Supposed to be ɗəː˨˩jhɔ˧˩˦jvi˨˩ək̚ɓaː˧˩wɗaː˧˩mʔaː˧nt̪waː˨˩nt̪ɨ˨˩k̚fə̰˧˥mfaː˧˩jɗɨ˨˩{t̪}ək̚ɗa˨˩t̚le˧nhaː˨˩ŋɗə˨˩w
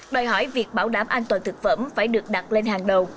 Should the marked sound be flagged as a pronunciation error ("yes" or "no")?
yes